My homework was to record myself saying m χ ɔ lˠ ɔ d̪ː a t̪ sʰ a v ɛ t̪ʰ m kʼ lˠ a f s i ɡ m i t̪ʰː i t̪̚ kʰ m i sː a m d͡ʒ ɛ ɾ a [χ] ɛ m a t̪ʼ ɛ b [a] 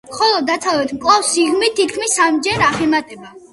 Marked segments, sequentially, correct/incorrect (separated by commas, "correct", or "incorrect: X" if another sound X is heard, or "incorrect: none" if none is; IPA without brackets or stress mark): correct, correct